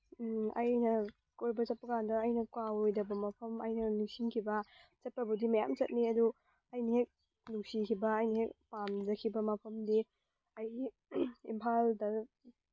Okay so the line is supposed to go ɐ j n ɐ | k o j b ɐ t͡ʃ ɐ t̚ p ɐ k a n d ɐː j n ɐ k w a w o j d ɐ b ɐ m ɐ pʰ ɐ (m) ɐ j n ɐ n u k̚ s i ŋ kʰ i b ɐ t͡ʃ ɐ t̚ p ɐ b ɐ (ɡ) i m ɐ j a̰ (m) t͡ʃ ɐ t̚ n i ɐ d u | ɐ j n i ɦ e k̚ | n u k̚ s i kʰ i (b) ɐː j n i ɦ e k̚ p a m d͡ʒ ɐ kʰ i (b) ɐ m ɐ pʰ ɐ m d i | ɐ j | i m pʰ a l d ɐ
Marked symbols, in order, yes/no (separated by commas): yes, no, yes, yes, yes